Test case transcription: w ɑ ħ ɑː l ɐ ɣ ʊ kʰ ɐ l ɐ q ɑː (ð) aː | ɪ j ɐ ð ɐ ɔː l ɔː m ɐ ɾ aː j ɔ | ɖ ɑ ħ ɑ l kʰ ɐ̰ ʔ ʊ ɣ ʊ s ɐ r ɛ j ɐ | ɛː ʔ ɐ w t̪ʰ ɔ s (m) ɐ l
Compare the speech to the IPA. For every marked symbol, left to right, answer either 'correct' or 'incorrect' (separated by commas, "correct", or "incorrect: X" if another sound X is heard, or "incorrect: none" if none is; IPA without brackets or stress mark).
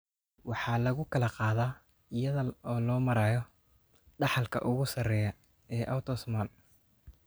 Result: correct, correct